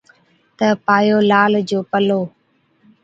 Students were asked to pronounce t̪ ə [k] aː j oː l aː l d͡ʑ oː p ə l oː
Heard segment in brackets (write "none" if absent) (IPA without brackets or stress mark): p